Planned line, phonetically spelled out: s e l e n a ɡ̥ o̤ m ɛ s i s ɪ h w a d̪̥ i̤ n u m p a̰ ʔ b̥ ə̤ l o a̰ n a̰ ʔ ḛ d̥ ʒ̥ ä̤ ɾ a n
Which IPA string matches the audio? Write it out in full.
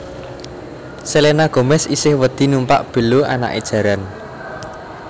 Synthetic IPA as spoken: s e l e n a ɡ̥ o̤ m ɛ s i s ɪ h w ə d̪̥ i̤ n u m p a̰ ʔ b̥ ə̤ l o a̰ n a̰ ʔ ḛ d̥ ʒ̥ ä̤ ɾ a n